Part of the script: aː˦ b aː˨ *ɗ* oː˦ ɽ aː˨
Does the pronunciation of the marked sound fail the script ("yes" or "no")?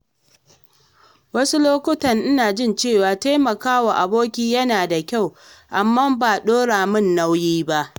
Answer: no